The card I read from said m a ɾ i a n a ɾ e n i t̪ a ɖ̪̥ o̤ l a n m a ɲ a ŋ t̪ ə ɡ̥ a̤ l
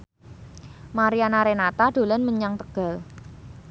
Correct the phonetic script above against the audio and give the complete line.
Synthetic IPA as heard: m a ɾ i a n a ɾ e n a t̪ a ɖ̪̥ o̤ l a n m ə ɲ a ŋ t̪ ə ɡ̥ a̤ l